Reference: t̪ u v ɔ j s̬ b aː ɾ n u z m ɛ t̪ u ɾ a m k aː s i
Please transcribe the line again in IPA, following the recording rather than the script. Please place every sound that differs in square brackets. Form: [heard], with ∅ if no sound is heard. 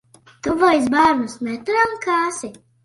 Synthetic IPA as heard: t̪ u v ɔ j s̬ b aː ɾ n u [s] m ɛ t̪ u ɾ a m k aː s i